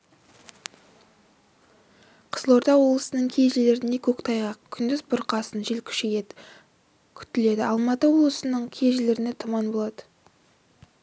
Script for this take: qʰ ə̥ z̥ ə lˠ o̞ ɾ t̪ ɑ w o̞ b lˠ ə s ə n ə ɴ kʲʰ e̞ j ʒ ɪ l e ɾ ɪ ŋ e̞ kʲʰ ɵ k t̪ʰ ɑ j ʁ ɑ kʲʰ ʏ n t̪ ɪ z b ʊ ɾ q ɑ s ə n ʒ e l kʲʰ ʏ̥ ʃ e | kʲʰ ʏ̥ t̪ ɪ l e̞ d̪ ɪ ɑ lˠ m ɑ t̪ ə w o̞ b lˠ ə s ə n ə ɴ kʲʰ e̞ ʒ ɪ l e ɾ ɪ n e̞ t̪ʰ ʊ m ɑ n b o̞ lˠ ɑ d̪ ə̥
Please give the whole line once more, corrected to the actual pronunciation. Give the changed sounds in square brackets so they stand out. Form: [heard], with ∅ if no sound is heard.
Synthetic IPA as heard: qʰ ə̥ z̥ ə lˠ o̞ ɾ t̪ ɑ w o̞ b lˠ ə s ə n ə ɴ kʲʰ e̞ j ʒ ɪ l e ɾ ɪ [n] e̞ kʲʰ ɵ k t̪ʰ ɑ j ʁ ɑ kʲʰ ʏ n [d̪] ɪ z b ʊ ɾ q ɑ s ə n ʒ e l kʲʰ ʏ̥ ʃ e | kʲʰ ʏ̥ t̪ ɪ l e̞ d̪ ɪ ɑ lˠ m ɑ t̪ ə w o̞ b lˠ ə s ə n ə ɴ kʲʰ e̞ ʒ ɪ l e ɾ ɪ n e̞ t̪ʰ ʊ m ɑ n b o̞ lˠ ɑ d̪ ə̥